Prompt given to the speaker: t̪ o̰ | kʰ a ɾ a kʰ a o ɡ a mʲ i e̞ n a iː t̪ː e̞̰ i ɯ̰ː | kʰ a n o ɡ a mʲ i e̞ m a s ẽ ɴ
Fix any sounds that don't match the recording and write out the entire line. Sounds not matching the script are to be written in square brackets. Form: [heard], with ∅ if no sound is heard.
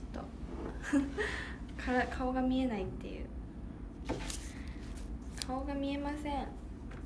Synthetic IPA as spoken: t̪ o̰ | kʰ a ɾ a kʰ a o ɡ a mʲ i e̞ n a [i] t̪ː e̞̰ [j] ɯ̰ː | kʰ a [∅] o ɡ a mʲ i e̞ m a s ẽ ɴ

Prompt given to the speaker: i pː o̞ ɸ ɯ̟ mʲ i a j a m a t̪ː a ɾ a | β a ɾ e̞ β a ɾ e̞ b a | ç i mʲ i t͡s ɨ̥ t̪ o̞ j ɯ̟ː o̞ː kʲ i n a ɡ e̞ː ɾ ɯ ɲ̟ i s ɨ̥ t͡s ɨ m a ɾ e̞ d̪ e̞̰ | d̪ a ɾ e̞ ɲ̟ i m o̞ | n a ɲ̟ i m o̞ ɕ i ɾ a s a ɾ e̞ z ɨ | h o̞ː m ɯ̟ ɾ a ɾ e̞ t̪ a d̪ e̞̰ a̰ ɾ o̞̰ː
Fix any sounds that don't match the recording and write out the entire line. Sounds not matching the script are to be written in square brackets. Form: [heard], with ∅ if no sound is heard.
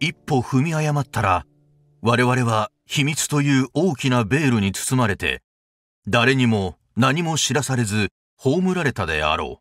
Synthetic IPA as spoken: i pː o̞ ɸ ɯ̟ mʲ i a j a m a t̪ː a ɾ a | β a ɾ e̞ β a ɾ e̞ [β] a | ç i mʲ i t͡s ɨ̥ t̪ o̞ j ɯ̟ː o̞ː kʲ i n a [b] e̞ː ɾ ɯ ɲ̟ i [t͡s] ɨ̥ t͡s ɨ m a ɾ e̞ [t̪] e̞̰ | d̪ a ɾ e̞ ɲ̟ i m o̞ | n a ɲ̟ i m o̞ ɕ i ɾ a s a ɾ e̞ z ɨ | h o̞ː m ɯ̟ ɾ a ɾ e̞ t̪ a d̪ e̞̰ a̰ ɾ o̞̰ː

